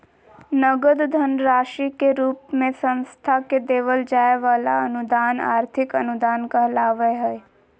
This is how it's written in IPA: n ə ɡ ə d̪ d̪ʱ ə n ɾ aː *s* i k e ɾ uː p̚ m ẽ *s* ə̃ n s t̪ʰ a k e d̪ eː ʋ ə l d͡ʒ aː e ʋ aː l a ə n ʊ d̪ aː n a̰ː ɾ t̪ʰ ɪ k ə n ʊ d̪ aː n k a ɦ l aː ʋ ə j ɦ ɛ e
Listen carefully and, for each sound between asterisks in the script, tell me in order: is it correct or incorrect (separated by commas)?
incorrect, correct